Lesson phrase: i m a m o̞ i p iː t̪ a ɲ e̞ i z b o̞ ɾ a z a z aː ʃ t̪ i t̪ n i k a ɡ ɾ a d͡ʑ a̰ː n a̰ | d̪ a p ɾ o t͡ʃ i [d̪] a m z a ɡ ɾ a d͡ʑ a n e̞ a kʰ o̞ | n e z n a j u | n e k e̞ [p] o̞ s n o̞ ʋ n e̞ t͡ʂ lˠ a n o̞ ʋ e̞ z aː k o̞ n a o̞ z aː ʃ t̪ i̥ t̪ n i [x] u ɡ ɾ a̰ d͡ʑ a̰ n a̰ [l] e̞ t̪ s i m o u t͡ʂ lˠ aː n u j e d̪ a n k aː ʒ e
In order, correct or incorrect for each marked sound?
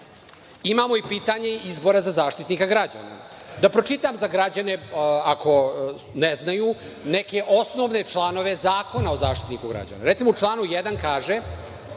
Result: incorrect: t̪, incorrect: ʔ, incorrect: k, incorrect: ɾ

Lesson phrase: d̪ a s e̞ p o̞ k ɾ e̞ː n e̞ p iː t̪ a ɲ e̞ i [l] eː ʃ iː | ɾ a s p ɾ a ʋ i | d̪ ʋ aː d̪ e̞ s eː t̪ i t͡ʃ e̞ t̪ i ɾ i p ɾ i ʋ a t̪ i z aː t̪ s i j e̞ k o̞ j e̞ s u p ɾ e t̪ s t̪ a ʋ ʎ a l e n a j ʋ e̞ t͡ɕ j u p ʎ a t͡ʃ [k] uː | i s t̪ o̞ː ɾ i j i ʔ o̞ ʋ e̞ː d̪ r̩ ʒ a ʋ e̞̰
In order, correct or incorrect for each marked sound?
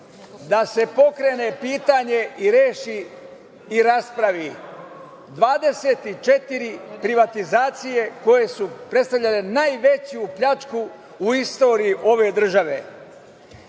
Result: incorrect: ɾ, correct

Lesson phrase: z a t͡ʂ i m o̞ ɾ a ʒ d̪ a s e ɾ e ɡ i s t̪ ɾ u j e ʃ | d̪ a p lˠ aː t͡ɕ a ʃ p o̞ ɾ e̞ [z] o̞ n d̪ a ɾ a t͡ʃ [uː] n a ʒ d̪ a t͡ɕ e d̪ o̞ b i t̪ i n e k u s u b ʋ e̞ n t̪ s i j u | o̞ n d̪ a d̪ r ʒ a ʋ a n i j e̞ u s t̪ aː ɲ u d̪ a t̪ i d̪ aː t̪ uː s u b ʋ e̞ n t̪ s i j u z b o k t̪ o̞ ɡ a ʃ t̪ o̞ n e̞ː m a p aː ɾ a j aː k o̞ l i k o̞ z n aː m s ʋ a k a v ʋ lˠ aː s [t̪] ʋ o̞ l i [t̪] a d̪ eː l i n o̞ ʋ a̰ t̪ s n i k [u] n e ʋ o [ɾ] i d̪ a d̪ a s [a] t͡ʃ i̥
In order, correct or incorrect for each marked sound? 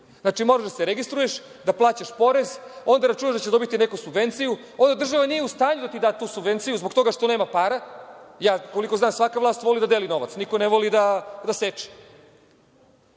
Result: correct, incorrect: u, correct, incorrect: d̪, incorrect: o, incorrect: l, incorrect: e

